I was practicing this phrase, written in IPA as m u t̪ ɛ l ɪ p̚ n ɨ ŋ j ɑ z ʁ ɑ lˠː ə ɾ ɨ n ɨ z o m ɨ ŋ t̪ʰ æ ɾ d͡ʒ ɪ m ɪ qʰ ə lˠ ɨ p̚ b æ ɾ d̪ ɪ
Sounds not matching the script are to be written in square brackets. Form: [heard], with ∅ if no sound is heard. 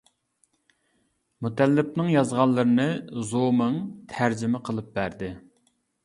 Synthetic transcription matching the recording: m u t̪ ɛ [lː] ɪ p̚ n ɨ ŋ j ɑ z ʁ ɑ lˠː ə ɾ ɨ n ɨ z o m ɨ ŋ t̪ʰ æ ɾ d͡ʒ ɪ m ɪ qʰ ə lˠ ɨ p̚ b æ ɾ d̪ ɪ